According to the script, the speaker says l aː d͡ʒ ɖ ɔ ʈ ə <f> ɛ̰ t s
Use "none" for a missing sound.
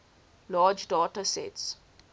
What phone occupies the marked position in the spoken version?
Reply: s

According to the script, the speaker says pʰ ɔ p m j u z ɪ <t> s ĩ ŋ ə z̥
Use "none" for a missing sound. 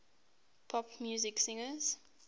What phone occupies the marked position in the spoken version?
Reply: k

